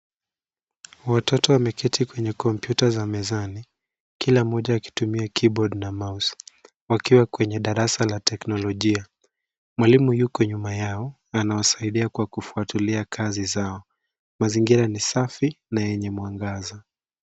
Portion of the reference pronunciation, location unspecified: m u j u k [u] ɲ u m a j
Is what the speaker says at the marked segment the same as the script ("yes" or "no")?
no